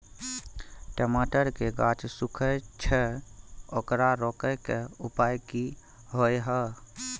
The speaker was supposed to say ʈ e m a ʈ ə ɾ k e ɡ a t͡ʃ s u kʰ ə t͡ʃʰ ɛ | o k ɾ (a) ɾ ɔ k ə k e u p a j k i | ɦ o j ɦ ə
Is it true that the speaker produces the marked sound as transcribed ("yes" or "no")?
yes